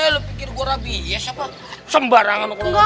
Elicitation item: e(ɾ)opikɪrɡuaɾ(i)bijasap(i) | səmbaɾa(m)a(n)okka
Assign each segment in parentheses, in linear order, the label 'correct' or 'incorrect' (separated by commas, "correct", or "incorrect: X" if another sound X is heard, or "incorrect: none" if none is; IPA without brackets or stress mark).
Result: incorrect: l, incorrect: a, incorrect: a, incorrect: ŋ, correct